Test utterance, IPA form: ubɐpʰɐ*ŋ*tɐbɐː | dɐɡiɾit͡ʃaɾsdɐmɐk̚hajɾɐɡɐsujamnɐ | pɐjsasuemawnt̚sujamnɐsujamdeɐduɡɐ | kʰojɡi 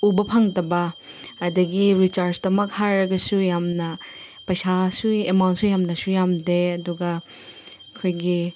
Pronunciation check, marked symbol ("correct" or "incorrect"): correct